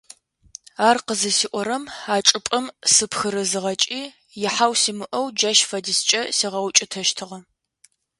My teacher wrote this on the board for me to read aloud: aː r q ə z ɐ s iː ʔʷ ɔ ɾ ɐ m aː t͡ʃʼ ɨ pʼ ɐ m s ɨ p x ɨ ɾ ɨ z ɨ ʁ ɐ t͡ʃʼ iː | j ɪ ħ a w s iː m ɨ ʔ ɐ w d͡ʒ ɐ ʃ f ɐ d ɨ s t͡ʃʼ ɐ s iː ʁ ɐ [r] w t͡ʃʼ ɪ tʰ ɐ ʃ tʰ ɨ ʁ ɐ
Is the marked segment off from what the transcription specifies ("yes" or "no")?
yes